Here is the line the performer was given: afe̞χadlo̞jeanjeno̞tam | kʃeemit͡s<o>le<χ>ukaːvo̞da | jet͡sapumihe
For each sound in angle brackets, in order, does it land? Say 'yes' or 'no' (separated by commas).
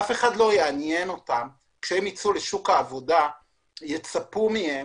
no, no